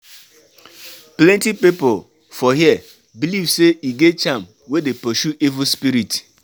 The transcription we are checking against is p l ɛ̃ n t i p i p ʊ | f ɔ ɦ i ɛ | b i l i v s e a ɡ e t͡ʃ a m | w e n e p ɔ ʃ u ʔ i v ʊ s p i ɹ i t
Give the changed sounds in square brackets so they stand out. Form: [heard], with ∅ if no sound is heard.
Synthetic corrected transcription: p l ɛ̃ n t i p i p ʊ | f ɔ ɦ i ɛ | b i l i v s e [i] ɡ e t͡ʃ a m | w e [d] e p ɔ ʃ u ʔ i v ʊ s p i [ɾ] i t